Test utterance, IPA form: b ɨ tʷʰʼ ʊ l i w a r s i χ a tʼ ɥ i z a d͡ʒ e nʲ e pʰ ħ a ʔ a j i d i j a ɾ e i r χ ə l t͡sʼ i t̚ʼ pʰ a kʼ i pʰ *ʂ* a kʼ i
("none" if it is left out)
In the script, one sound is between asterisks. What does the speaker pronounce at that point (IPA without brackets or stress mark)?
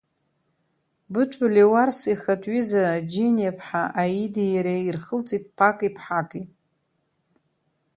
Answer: ħ